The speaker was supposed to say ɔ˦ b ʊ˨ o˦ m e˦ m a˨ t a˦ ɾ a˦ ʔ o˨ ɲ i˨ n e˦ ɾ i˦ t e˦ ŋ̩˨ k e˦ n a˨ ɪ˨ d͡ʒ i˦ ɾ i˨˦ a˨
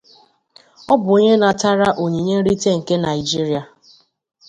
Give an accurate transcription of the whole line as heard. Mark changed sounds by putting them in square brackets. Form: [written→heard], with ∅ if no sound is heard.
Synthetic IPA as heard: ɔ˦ b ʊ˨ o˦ [m→ɲ] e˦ [m→n] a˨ t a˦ ɾ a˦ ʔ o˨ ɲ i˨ [n→ɲ] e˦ ɾ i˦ t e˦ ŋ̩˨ k e˦ n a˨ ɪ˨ d͡ʒ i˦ ɾ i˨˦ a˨